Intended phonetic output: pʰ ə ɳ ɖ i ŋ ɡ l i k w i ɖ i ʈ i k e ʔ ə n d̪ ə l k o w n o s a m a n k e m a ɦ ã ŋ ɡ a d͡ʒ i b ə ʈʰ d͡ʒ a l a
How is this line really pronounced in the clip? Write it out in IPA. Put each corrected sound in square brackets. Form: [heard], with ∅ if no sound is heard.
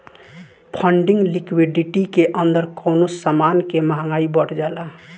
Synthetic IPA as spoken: pʰ ə ɳ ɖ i ŋ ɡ l i k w i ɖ i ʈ i k e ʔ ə n d̪ ə [ɾ] k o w n o s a m a n k e m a ɦ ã ŋ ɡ a [∅] i b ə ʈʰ d͡ʒ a l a